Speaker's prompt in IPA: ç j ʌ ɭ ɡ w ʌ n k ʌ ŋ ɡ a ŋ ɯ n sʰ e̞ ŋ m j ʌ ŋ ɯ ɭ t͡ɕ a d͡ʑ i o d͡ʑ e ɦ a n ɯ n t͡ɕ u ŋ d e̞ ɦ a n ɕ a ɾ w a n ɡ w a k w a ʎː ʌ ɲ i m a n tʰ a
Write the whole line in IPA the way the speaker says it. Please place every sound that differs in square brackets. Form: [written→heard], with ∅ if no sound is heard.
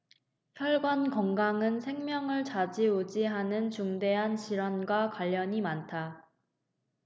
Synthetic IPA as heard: ç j ʌ ɭ ɡ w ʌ n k ʌ ŋ ɡ a ŋ ɯ n sʰ e̞ ŋ m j ʌ ŋ ɯ ɭ t͡ɕ a d͡ʑ i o d͡ʑ [e→i] ɦ a n ɯ n t͡ɕ u ŋ d e̞ ɦ a n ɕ [a→i] ɾ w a n ɡ w a k w a ʎː ʌ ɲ i m a n tʰ a

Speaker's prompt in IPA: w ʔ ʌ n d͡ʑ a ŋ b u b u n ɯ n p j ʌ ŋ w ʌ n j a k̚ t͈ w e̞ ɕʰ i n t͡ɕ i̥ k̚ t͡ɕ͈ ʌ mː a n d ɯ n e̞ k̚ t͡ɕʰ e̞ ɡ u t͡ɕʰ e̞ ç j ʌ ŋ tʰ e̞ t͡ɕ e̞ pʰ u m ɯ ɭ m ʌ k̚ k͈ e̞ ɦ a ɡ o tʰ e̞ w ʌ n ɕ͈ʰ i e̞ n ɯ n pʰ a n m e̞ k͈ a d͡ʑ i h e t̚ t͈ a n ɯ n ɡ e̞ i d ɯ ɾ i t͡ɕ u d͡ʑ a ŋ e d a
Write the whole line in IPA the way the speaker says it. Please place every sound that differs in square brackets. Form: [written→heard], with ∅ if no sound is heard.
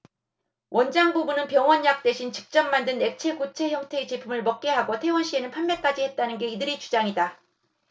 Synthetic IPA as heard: w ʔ ʌ n d͡ʑ a ŋ b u b u n ɯ n p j ʌ ŋ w ʌ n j a k̚ t͈ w e̞ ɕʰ i n t͡ɕ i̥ k̚ t͡ɕ͈ ʌ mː a n d ɯ n e̞ k̚ t͡ɕʰ e̞ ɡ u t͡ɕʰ e̞ ç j ʌ ŋ tʰ e̞ t͡ɕ e̞ pʰ u m ɯ ɭ m ʌ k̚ k͈ e̞ ɦ a ɡ o tʰ e̞ w ʌ n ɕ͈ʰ i e̞ n ɯ n pʰ a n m e̞ k͈ a d͡ʑ i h e t̚ t͈ a n ɯ n ɡ e̞ i d ɯ ɾ i t͡ɕ u d͡ʑ a ŋ [e→i] d a

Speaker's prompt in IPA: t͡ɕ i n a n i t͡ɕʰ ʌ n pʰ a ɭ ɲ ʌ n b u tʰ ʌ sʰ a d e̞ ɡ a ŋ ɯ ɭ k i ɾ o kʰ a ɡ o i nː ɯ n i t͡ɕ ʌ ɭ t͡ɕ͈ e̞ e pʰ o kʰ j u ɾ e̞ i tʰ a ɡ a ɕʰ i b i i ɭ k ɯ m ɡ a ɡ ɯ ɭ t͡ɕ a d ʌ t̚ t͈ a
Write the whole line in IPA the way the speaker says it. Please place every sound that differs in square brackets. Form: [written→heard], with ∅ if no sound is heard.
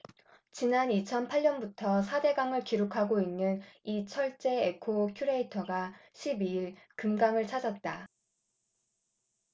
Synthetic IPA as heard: t͡ɕ i n a n i t͡ɕʰ ʌ n pʰ a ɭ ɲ ʌ n b u tʰ ʌ sʰ a d e̞ ɡ a ŋ ɯ ɭ k i ɾ o kʰ a ɡ o i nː ɯ n i [t͡ɕ→t͡ɕʰ] ʌ ɭ t͡ɕ͈ e̞ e [pʰ→kʰ] o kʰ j u ɾ e̞ i tʰ [a→ʌ] ɡ a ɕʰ i b i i ɭ k ɯ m ɡ a [ɡ→ŋ] ɯ ɭ [t͡ɕ→t͡ɕʰ] a [d→d͡ʑ] ʌ t̚ t͈ a

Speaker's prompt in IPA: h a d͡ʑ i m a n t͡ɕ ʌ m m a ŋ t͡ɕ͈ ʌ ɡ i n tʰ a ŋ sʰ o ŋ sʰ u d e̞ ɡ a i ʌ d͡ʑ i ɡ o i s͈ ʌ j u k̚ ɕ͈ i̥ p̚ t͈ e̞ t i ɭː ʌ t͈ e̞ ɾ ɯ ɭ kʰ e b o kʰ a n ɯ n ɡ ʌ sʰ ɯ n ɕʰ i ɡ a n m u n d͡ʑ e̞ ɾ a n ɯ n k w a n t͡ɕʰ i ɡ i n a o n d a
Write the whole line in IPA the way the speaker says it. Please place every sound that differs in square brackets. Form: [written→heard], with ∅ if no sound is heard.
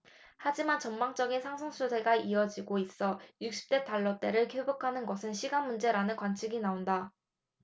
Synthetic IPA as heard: h a d͡ʑ i m a n t͡ɕ ʌ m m a ŋ t͡ɕ͈ ʌ ɡ i n [tʰ→sʰ] a ŋ sʰ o ŋ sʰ u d e̞ ɡ a i ʌ d͡ʑ i ɡ o i s͈ ʌ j u k̚ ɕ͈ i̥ p̚ t͈ e̞ t [i→a] ɭː ʌ t͈ e̞ ɾ ɯ ɭ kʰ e b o kʰ a n ɯ n ɡ ʌ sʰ ɯ n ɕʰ i ɡ a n m u n d͡ʑ e̞ ɾ a n ɯ n k w a n t͡ɕʰ i ɡ i n a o n d a

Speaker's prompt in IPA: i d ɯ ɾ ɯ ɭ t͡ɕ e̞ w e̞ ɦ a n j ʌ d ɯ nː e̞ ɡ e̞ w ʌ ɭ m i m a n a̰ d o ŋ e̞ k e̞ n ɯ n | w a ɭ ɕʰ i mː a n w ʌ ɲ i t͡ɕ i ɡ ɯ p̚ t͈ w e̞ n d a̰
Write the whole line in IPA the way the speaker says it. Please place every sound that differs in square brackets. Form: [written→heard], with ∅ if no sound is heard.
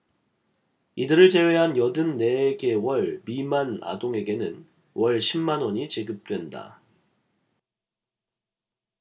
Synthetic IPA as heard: i d ɯ ɾ ɯ ɭ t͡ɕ e̞ w e̞ ɦ a n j ʌ d ɯ nː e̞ ɡ e̞ w ʌ ɭ m i m a n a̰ d o ŋ e̞ [k→ɡ] e̞ n ɯ n | w [a→ʌ] ɭ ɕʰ i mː a n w ʌ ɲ i t͡ɕ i ɡ ɯ p̚ t͈ w e̞ n d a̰

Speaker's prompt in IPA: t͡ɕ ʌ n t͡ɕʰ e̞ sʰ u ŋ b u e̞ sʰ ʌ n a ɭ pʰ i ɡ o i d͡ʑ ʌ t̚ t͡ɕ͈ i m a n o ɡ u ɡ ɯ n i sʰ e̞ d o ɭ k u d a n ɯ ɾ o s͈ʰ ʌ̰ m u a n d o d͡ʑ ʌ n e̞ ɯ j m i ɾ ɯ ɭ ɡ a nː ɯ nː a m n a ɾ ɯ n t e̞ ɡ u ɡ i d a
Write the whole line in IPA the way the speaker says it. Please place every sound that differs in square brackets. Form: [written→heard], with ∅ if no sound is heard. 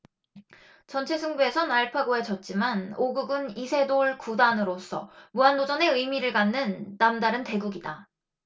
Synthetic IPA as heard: t͡ɕ ʌ n t͡ɕʰ e̞ sʰ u ŋ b u e̞ sʰ ʌ n a ɭ pʰ [i→a] ɡ o [i→e] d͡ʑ ʌ t̚ t͡ɕ͈ i m a n o ɡ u ɡ ɯ n i sʰ e̞ d o ɭ k u d a n ɯ ɾ o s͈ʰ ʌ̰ m u a n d o d͡ʑ ʌ n e̞ ɯ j m i ɾ ɯ ɭ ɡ a nː ɯ nː a m [n→d] a ɾ ɯ n t e̞ ɡ u ɡ i d a

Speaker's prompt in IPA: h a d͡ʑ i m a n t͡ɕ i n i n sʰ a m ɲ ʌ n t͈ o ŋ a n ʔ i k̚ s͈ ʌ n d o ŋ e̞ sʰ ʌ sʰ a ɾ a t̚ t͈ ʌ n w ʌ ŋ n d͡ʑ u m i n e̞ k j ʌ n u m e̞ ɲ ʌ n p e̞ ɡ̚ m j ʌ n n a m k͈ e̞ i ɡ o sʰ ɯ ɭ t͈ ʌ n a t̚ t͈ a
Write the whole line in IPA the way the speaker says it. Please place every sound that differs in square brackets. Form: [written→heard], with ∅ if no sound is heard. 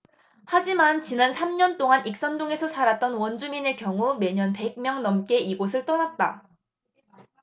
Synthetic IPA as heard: h a d͡ʑ i m a n t͡ɕ i n [i→a] n sʰ a m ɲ ʌ n t͈ o ŋ a n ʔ i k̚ s͈ ʌ n d o ŋ e̞ sʰ ʌ sʰ a ɾ a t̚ t͈ ʌ n w ʌ [ŋ→∅] n d͡ʑ u m i n e̞ k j ʌ [n→ŋ] u m e̞ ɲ ʌ n p e̞ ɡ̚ m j ʌ [n→ŋ] n [a→ʌ] m k͈ e̞ i ɡ o sʰ ɯ ɭ t͈ ʌ n a t̚ t͈ a

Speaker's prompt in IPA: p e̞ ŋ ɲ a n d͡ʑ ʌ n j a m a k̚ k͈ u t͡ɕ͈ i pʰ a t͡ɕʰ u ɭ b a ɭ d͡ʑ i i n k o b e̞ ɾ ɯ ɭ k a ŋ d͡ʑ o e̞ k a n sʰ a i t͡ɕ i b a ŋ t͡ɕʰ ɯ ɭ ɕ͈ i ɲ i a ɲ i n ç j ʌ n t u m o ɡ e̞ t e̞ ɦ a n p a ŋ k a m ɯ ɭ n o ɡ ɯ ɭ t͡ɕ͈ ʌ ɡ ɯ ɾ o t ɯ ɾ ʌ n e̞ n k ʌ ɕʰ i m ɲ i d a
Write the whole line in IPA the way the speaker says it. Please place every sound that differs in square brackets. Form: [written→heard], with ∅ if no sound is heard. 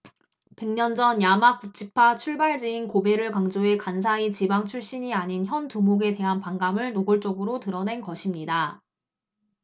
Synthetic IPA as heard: p e̞ ŋ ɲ [a→ʌ] n d͡ʑ ʌ n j a m a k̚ k͈ u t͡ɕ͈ i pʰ a t͡ɕʰ u ɭ b a ɭ d͡ʑ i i n k o b e̞ ɾ ɯ ɭ k a ŋ d͡ʑ o e̞ k a n sʰ a i t͡ɕ i b a ŋ t͡ɕʰ [ɯ→u] ɭ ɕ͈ i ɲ i a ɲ i n ç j ʌ n t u m o ɡ e̞ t e̞ ɦ a n p a ŋ [k→ɡ] a m ɯ ɭ n o ɡ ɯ ɭ t͡ɕ͈ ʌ ɡ ɯ ɾ o t ɯ ɾ ʌ n e̞ n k ʌ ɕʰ i m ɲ i d a

